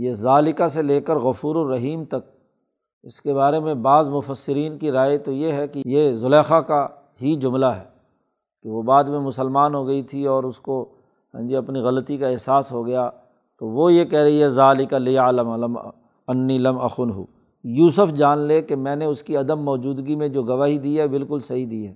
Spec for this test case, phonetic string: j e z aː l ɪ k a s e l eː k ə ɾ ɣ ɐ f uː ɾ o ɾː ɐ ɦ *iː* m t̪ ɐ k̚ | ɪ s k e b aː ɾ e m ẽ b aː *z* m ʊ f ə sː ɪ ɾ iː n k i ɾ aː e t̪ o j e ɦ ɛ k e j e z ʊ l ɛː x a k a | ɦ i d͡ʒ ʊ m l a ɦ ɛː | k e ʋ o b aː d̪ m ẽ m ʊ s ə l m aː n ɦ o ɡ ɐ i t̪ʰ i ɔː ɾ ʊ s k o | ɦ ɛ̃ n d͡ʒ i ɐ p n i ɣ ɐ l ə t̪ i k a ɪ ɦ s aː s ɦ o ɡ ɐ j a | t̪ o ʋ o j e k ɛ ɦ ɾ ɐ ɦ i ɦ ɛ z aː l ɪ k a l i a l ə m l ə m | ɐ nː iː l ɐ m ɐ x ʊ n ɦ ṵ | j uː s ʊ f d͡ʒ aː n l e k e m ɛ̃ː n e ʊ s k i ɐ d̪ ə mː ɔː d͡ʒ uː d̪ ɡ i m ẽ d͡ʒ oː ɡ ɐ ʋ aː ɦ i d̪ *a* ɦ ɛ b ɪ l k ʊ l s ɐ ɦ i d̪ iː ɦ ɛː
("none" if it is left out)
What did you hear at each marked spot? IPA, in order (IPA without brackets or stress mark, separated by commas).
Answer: iː, z, i